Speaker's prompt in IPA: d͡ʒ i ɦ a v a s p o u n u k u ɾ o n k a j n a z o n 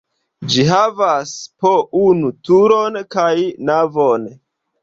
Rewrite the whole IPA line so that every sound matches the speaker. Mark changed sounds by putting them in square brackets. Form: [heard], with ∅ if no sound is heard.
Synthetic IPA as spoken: d͡ʒ i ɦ a v a s p o u n u [t] u ɾ o n k a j n a [v] o n